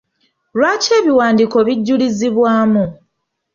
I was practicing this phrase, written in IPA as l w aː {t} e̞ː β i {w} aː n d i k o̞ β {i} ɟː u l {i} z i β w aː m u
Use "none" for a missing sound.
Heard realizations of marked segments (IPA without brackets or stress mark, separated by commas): c, w, i, i